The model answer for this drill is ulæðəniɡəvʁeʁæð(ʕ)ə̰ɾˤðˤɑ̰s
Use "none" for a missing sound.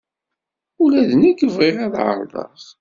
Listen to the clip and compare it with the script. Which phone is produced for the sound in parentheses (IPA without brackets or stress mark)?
ʕ